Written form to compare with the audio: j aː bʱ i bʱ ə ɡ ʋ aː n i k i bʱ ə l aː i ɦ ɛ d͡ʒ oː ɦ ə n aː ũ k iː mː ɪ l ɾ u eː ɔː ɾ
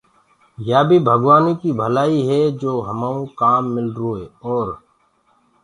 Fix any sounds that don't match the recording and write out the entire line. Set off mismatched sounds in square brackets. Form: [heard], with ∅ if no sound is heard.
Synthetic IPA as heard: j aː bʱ i bʱ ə ɡ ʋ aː n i k i bʱ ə l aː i ɦ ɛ d͡ʒ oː ɦ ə [m] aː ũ k [aː] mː ɪ l ɾ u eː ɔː ɾ